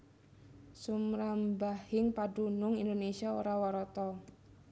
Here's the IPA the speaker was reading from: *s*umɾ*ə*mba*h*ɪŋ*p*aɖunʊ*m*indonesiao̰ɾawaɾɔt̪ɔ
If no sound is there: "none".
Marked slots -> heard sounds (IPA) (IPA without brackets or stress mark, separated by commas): s, a, h, p, ŋ